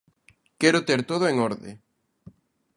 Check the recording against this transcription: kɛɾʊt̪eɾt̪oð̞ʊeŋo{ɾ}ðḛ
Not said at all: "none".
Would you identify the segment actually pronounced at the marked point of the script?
ɾ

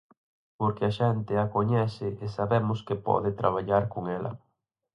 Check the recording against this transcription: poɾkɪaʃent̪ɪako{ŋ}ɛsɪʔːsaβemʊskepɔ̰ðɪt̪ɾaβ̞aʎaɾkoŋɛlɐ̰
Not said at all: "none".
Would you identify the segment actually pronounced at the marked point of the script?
ɲ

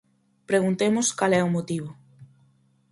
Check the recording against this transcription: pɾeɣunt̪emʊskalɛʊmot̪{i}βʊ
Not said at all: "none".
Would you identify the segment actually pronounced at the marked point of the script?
i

